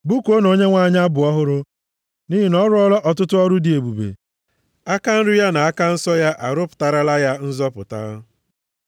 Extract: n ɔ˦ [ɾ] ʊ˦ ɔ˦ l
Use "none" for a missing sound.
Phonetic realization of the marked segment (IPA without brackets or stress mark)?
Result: ɾ